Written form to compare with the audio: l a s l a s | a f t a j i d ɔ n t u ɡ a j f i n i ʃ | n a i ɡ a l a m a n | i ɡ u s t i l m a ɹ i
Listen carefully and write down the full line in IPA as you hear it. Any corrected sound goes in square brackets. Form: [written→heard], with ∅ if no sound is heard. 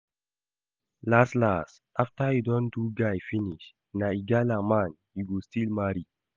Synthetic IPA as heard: l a s l a s | a f t a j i d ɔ n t u ɡ a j f i n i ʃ | n a i ɡ a l a m a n | i ɡ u s t i l m a [ɹ→ɾ] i